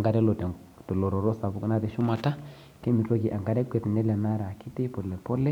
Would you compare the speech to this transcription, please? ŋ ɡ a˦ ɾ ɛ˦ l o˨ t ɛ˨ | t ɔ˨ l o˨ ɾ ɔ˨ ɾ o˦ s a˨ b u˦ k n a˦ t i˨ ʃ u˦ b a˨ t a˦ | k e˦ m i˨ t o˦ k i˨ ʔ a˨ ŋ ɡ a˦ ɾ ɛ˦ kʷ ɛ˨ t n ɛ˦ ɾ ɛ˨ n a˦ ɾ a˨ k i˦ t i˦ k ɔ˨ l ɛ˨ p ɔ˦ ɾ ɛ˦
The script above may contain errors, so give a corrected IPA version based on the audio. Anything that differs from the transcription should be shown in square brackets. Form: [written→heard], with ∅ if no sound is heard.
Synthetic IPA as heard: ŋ ɡ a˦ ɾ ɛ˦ l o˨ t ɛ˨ | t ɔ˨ l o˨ ɾ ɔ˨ ɾ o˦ s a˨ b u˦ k n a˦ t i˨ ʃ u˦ [b→m] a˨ t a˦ | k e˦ m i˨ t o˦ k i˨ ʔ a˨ ŋ ɡ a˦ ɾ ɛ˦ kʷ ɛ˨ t n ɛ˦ [ɾ→l] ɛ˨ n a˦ ɾ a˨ k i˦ t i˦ [k→p] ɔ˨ l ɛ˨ p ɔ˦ [ɾ→l] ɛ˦